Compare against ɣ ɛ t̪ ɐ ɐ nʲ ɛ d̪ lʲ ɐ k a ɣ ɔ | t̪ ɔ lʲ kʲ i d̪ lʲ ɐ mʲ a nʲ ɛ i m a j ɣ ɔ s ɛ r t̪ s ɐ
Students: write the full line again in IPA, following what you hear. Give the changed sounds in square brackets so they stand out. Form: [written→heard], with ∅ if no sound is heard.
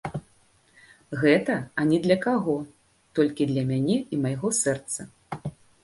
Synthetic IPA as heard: ɣ ɛ t̪ ɐ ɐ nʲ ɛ d̪ lʲ ɐ k a ɣ ɔ | t̪ ɔ lʲ kʲ i d̪ lʲ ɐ mʲ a nʲ ɛ i m a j ɣ ɔ s ɛ r t̪ s ɐ